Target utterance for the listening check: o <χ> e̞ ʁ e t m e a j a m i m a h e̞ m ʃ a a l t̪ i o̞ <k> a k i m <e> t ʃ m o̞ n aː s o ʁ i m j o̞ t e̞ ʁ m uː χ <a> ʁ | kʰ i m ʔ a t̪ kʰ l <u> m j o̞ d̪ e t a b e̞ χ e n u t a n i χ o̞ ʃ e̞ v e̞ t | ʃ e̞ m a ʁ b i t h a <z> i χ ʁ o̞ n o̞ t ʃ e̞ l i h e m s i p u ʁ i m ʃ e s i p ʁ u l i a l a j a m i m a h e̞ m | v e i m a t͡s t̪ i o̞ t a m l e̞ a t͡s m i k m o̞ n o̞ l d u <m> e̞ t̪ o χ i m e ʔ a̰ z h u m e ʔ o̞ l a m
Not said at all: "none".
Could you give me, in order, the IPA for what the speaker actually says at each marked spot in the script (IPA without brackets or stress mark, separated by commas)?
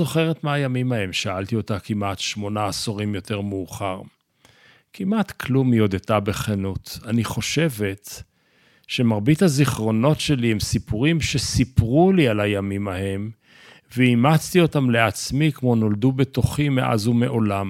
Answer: χ, t, a, a, u, z, b